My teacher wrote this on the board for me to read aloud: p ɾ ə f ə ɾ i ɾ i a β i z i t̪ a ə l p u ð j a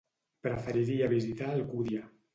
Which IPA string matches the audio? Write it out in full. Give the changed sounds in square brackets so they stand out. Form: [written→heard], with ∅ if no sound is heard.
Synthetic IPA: p ɾ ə f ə ɾ i ɾ i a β i z i t̪ a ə l [p→k] u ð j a